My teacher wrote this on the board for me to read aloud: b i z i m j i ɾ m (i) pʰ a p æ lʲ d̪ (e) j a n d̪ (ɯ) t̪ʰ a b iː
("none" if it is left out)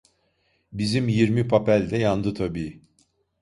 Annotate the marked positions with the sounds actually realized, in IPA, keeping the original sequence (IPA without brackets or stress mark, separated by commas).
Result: i, ɛ, ɯ